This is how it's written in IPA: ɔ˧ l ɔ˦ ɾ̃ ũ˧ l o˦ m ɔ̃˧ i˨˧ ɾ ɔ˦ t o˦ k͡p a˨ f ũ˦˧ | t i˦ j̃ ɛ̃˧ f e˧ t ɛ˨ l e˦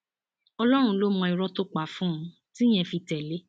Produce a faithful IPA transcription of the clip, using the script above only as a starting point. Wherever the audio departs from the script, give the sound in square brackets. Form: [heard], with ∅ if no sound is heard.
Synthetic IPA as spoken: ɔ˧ l ɔ˦ ɾ̃ ũ˧ l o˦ m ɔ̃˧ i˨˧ ɾ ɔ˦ t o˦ k͡p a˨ f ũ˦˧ | t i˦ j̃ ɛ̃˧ f [i˧] t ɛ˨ l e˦